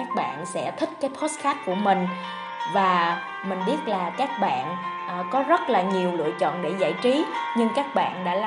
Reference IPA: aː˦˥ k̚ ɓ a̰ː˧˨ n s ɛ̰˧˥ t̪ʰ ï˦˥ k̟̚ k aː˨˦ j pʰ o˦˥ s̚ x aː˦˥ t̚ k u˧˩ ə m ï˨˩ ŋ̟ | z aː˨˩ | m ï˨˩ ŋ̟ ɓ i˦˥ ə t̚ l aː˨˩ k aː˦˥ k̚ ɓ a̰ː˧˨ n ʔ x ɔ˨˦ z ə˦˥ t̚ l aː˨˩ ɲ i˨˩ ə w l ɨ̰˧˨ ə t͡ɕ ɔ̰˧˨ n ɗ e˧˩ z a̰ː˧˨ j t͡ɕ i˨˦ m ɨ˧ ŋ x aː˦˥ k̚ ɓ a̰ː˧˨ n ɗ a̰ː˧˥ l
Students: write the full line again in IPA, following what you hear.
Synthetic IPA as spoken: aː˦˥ k̚ ɓ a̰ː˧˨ n s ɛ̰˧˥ t̪ʰ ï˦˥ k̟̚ k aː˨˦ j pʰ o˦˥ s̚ x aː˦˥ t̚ k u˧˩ ə m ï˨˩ ŋ̟ | v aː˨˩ | m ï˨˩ ŋ̟ ɓ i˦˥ ə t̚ l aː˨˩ k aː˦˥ k̚ ɓ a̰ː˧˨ n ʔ k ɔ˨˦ z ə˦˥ t̚ l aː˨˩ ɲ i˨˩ ə w l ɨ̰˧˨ ə t͡ɕ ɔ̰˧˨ n ɗ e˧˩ z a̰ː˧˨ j t͡ɕ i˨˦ ɲ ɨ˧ ŋ k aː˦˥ k̚ ɓ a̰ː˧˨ n ɗ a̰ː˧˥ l